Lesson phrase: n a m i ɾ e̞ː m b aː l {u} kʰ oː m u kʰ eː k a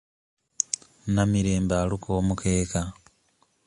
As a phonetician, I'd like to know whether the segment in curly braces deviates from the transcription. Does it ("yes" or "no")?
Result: no